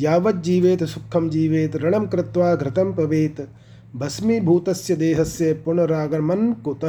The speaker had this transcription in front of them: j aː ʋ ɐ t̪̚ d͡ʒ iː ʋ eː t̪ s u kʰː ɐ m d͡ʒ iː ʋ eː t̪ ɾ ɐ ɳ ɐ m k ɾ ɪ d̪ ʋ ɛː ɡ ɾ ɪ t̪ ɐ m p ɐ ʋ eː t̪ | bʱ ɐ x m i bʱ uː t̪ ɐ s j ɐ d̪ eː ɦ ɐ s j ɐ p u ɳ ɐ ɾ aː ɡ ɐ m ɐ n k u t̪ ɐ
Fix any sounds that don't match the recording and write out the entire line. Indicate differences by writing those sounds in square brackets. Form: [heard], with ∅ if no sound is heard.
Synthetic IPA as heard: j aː ʋ ɐ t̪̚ d͡ʒ iː ʋ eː t̪ s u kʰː ɐ m d͡ʒ iː ʋ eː t̪ ɾ ɐ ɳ ɐ m k ɾ ɪ [t̪] ʋ [aː] ɡ ɾ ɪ t̪ ɐ m p ɐ ʋ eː t̪ | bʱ ɐ [s] m i bʱ uː t̪ ɐ s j ɐ d̪ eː ɦ ɐ s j ɐ p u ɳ ɐ ɾ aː ɡ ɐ m ɐ n k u t̪ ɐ